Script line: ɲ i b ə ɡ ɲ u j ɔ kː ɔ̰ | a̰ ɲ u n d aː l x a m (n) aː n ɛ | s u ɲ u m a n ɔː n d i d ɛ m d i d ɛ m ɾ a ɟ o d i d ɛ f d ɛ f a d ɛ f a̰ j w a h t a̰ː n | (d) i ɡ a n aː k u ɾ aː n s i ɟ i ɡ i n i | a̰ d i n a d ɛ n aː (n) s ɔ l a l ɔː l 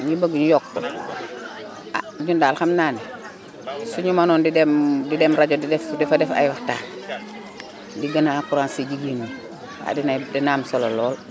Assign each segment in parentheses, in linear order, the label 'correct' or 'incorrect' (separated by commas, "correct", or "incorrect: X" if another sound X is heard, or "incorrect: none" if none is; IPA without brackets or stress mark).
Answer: correct, correct, incorrect: m